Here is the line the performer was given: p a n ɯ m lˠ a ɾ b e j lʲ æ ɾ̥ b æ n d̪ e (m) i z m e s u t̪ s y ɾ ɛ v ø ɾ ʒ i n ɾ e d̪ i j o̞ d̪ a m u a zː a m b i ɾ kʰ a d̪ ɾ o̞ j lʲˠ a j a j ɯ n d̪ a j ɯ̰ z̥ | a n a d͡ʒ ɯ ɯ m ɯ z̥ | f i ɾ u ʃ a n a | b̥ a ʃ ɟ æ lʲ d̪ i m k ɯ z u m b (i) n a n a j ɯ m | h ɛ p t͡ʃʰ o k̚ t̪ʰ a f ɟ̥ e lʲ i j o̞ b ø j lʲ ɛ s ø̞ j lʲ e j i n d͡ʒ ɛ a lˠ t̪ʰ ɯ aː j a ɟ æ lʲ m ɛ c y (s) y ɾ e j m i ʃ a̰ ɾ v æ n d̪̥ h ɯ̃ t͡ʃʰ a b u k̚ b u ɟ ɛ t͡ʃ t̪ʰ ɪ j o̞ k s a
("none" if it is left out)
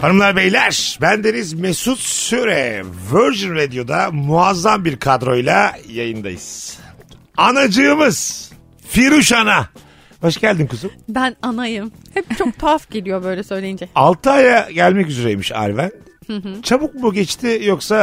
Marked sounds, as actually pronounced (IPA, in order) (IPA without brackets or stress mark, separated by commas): n, æ, z